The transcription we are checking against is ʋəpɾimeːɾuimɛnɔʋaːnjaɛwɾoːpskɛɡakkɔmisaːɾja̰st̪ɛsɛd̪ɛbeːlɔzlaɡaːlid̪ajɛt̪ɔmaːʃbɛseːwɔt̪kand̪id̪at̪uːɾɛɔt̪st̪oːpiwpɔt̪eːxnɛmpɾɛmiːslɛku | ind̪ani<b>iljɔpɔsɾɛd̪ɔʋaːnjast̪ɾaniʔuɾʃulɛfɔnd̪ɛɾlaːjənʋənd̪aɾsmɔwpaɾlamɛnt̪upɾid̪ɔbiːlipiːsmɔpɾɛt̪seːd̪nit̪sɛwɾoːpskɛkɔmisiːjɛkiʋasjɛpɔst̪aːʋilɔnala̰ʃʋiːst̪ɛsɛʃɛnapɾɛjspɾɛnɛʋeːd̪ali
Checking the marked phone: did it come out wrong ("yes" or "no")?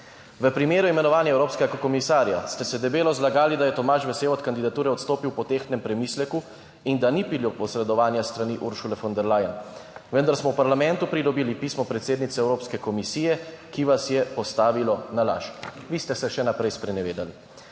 yes